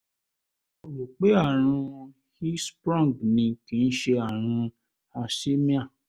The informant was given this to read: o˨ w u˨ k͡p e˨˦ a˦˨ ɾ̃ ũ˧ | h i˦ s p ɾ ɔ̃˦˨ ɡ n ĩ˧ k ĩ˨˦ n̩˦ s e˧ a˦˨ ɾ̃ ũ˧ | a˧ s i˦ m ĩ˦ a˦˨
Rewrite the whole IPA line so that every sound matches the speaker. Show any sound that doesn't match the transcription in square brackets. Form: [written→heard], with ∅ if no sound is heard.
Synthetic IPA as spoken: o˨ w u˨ k͡p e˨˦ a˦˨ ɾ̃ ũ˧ | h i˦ s p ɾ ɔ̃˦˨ ɡ n ĩ˧ k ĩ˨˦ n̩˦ [s→ʃ] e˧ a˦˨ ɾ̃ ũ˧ | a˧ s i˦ m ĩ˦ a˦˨